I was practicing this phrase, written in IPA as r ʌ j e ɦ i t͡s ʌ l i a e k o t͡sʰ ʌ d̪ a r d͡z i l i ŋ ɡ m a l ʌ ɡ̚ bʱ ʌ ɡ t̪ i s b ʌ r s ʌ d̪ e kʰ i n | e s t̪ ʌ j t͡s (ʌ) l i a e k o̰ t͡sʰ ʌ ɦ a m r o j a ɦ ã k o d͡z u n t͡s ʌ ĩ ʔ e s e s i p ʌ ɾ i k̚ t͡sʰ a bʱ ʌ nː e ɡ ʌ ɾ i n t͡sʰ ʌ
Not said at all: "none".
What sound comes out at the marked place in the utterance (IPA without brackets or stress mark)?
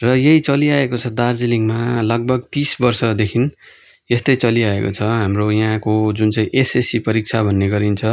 ʌ